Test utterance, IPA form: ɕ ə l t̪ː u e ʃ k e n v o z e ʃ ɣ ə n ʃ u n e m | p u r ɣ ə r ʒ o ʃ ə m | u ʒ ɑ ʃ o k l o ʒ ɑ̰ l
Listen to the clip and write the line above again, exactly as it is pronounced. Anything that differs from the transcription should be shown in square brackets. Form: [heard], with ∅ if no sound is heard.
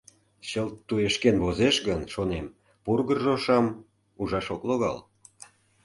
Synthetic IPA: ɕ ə l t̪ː u e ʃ k e n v o z e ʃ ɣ ə n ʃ [o] n e m | p u r ɣ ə r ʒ o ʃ [ɑ] m | u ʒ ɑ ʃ o k l o [ɣ] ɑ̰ l